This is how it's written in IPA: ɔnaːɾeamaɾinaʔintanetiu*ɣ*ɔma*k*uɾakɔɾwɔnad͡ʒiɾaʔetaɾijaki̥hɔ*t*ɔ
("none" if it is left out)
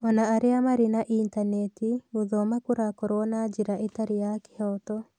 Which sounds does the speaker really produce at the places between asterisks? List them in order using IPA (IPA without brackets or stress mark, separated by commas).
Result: ð, k, t